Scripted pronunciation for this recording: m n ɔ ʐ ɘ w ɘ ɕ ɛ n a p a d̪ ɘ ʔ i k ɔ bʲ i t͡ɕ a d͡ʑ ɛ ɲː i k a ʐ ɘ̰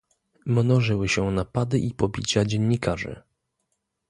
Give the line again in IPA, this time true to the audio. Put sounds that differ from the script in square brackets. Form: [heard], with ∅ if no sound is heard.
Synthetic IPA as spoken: m n ɔ ʐ ɘ w ɘ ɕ ɛ n a p a d̪ ɘ ʔ i [p] ɔ bʲ i t͡ɕ a d͡ʑ ɛ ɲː i k a ʐ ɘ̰